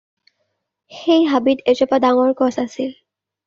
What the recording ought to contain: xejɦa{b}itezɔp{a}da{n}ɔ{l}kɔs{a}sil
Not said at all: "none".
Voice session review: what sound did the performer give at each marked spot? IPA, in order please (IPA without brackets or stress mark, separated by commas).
b, a, ŋ, ɹ, a